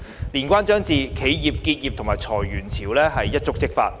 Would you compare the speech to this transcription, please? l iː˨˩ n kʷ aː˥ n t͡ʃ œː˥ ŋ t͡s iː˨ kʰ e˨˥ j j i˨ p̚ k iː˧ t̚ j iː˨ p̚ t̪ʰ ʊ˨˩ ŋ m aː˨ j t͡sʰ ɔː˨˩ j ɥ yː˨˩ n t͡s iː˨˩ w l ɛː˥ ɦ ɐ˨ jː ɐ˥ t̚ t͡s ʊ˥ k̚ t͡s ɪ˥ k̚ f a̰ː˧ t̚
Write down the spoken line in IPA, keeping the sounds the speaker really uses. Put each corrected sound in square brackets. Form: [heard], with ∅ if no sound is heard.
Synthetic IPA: l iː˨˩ n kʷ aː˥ n t͡ʃ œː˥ ŋ t͡s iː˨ kʰ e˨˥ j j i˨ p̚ k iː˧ t̚ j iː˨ p̚ t̪ʰ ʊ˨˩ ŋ m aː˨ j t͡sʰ ɔː˨˩ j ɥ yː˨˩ n [t͡sʰ] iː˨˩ w l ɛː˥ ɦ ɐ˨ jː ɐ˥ t̚ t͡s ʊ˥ k̚ t͡s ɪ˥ k̚ f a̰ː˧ t̚